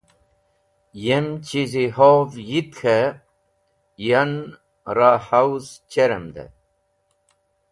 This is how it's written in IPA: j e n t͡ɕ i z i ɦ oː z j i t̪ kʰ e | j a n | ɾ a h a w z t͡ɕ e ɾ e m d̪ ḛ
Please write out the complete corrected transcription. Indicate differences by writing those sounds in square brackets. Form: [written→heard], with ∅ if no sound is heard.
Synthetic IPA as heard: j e [n→m] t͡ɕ i z i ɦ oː [z→v] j i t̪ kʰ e | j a n | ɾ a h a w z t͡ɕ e ɾ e m d̪ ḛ